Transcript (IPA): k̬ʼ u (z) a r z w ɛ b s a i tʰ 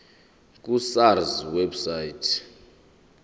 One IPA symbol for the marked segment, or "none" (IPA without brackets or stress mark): s